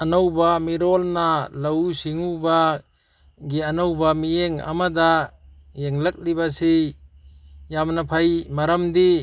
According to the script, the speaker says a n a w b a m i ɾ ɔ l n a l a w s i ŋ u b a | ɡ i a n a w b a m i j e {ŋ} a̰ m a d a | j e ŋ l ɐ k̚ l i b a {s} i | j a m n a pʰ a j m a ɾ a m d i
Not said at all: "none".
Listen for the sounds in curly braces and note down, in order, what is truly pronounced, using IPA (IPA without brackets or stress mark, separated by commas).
ŋ, s